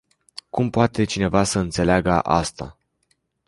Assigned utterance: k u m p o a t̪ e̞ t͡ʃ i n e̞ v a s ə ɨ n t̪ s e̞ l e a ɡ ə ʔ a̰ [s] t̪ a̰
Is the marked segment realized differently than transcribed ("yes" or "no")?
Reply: no